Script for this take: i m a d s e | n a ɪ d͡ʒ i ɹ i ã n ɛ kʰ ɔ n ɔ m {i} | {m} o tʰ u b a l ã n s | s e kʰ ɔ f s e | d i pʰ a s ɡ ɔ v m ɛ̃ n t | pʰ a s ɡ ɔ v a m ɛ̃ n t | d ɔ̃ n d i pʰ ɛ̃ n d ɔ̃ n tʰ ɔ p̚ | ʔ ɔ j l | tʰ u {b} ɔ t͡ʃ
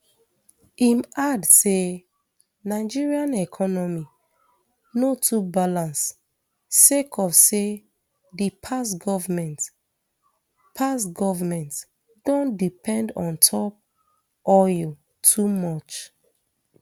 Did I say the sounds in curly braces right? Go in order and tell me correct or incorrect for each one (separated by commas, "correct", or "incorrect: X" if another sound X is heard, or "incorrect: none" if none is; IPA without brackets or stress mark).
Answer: correct, incorrect: n, incorrect: m